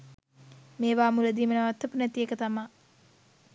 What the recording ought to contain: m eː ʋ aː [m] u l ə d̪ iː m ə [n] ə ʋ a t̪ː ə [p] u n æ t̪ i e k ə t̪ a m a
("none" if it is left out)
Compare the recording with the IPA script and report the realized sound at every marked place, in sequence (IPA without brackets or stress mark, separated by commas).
m, n, p